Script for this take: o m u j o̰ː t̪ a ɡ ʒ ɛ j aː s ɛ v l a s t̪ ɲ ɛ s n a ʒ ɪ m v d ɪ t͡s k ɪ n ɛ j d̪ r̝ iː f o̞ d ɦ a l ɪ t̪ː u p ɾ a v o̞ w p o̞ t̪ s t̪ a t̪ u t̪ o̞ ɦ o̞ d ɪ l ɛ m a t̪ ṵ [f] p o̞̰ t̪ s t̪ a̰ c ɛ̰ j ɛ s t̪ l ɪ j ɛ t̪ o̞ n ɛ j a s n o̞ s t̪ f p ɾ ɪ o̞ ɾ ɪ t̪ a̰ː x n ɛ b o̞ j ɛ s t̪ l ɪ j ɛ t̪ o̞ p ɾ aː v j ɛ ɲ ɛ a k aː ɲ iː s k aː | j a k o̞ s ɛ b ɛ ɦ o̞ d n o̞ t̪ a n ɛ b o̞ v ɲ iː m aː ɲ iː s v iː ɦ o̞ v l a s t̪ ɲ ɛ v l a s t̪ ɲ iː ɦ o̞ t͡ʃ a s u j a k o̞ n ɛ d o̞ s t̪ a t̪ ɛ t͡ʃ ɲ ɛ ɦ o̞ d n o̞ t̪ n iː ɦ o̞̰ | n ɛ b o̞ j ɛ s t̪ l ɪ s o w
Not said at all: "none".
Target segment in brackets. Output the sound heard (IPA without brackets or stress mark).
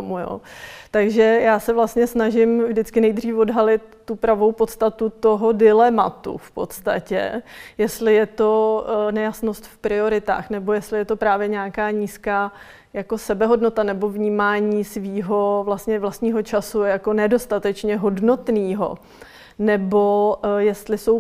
f